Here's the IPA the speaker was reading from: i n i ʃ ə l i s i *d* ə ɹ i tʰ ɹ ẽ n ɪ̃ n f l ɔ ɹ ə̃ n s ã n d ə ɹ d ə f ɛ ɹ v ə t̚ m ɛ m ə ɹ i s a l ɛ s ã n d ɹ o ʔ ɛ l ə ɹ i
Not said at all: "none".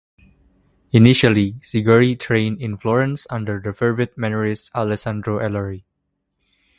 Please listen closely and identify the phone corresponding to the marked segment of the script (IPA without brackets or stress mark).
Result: ɡ